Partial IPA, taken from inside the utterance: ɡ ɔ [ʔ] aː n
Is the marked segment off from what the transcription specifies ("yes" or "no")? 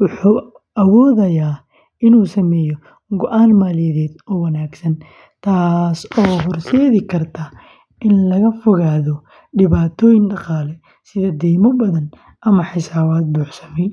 no